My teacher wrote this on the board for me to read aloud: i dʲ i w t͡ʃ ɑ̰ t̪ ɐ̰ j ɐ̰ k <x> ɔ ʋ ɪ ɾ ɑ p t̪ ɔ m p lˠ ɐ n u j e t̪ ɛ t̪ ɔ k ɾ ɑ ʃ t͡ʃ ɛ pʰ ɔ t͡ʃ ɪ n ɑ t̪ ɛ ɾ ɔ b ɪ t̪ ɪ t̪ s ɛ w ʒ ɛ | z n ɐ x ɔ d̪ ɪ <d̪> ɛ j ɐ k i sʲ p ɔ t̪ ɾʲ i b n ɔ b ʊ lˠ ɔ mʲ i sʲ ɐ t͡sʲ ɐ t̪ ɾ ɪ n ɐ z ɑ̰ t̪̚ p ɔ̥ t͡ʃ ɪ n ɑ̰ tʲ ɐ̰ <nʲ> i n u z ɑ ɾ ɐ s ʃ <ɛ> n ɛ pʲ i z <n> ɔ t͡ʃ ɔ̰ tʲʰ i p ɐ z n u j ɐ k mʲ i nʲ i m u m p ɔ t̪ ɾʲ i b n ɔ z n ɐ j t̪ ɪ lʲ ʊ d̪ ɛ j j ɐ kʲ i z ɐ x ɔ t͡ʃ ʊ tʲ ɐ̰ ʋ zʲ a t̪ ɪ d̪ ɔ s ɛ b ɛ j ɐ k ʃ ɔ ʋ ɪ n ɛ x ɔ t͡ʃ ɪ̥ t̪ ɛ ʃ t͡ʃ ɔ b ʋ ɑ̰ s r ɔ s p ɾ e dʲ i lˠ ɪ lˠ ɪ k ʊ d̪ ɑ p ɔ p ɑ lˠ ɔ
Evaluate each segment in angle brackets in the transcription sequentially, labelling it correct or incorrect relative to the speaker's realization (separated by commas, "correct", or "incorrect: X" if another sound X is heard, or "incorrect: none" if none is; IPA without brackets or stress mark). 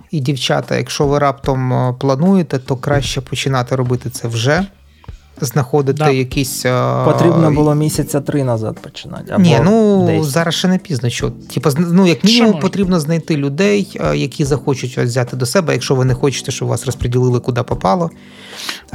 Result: incorrect: ʃ, incorrect: t̪, correct, correct, correct